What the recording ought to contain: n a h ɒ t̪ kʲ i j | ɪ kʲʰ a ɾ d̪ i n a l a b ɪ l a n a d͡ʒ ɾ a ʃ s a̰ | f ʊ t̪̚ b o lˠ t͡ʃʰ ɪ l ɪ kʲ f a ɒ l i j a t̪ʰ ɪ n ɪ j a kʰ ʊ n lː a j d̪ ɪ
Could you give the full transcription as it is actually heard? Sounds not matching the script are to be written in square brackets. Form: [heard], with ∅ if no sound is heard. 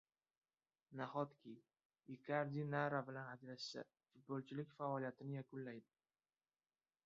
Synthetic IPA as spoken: n a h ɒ t̪ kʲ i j | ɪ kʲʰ a ɾ d̪ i n a [ɾ] a b ɪ l a n a d͡ʒ ɾ a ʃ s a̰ | f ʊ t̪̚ b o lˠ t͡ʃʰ ɪ l ɪ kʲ f a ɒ l i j a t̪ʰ ɪ n ɪ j a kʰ ʊ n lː a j d̪ ɪ